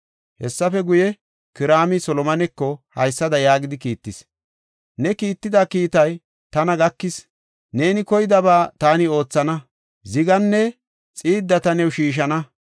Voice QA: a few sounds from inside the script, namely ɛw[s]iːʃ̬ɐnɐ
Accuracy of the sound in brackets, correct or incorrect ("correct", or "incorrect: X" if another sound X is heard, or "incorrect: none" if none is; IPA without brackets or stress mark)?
incorrect: ʃ